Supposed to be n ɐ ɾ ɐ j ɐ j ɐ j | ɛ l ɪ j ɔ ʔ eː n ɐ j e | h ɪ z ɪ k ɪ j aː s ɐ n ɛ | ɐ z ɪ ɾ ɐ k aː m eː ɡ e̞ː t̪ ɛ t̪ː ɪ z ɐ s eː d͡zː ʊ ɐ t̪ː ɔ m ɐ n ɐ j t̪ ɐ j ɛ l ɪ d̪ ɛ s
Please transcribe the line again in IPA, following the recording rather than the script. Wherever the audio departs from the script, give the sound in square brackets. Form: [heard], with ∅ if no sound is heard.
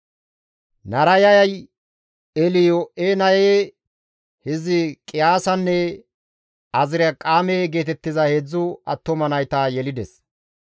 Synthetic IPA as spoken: n ɐ ɾ ɐ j ɐ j ɐ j | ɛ l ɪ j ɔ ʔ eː n ɐ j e | h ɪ z ɪ [kʼ] ɪ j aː s ɐ [nː] ɛ | ɐ z ɪ ɾ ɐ [kʼ] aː m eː ɡ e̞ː t̪ ɛ t̪ː ɪ z ɐ [h] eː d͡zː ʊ ɐ t̪ː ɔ m ɐ n ɐ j t̪ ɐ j ɛ l ɪ d̪ ɛ s